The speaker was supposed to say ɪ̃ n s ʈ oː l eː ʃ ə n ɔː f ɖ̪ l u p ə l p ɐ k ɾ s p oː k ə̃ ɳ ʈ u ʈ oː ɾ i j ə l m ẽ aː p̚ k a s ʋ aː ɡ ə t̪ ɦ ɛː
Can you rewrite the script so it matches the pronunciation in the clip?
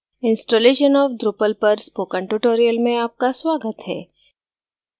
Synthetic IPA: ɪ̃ n s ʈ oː l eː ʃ ə n ɔː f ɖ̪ ɾ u p ə l p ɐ ɾ s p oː k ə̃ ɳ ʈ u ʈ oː ɾ i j ə l m ẽ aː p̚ k a s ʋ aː ɡ ə t̪ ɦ ɛː